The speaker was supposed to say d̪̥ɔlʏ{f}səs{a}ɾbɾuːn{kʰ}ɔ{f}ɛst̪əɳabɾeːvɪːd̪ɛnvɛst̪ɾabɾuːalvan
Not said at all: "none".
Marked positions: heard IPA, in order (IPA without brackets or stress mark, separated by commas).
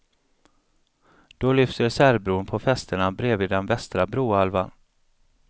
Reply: f, æ, pʰ, f